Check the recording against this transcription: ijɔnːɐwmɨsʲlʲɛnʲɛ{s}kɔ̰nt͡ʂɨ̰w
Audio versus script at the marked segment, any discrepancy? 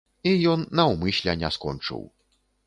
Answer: no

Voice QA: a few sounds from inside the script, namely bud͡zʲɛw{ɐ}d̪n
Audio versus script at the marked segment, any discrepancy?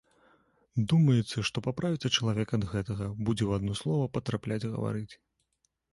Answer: yes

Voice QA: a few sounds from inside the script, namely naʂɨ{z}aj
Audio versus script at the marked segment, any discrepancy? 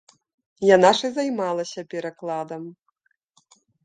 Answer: no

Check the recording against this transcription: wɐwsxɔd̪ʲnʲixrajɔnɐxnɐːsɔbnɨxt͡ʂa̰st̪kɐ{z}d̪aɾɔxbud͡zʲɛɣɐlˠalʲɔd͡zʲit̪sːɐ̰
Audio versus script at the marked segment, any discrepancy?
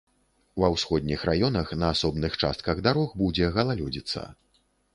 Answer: yes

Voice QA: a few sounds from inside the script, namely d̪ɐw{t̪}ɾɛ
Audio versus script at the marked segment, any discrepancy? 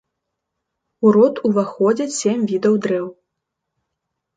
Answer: yes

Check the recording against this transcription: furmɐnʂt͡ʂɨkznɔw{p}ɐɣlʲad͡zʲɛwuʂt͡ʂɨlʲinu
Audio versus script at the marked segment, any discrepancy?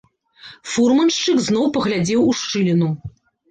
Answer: no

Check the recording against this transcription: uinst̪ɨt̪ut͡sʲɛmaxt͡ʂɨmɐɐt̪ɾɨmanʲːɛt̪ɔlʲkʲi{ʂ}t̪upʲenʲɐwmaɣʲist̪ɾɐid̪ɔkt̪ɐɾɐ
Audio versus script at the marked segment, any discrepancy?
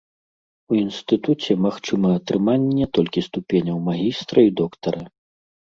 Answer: yes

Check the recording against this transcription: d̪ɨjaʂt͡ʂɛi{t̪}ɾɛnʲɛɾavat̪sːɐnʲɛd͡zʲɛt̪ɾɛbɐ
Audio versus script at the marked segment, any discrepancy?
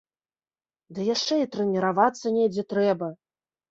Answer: no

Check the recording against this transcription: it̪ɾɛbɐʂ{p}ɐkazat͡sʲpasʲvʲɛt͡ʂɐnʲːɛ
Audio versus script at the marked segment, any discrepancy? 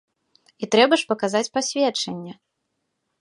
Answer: no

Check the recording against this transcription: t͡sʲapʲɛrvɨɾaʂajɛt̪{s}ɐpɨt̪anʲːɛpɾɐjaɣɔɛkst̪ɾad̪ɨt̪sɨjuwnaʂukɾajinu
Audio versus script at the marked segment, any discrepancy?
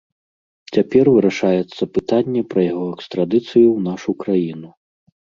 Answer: yes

